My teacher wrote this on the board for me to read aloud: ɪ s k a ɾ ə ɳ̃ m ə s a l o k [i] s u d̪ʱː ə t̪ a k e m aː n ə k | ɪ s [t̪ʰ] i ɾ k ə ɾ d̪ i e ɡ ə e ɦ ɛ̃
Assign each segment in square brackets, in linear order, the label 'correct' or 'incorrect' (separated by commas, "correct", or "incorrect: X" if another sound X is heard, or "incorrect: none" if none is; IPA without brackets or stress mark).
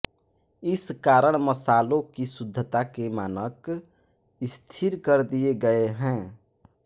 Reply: correct, correct